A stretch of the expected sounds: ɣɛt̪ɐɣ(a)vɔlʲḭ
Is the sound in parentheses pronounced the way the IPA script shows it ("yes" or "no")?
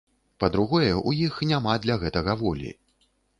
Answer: no